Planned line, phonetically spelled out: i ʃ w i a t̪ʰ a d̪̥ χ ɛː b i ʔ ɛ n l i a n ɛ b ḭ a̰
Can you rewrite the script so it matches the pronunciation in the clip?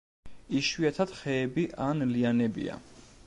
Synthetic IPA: i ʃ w i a t̪ʰ a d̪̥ χ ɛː b i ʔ a n l i a n ɛ b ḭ a̰